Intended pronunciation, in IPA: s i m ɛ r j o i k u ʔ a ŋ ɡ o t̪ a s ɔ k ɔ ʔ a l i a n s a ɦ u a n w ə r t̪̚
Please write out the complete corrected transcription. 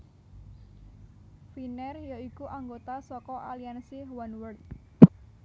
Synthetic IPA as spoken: f i n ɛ r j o i k u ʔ a ŋ ɡ o t̪ a s ɔ k ɔ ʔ a l i a n s i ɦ w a n w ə r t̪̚